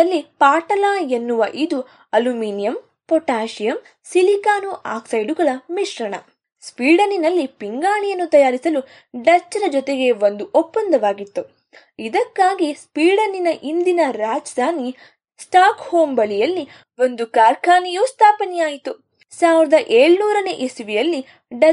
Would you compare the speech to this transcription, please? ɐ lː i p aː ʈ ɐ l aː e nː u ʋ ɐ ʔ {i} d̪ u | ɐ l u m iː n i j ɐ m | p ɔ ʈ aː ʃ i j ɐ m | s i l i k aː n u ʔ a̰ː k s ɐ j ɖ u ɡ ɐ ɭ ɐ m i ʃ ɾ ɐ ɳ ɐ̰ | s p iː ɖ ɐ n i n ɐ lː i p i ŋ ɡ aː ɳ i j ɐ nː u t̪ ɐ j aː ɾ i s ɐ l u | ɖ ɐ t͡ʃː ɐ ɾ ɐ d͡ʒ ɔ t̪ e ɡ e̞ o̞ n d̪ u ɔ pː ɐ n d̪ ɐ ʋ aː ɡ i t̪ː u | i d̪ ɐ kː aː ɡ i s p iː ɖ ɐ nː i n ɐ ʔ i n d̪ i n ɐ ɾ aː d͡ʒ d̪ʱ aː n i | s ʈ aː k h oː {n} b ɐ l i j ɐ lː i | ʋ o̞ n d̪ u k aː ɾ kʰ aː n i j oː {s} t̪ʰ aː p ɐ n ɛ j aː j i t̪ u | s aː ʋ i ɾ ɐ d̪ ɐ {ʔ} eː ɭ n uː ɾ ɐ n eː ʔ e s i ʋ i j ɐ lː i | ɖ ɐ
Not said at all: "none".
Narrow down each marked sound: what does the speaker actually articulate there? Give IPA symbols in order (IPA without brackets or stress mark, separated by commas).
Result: i, m, s, ʔ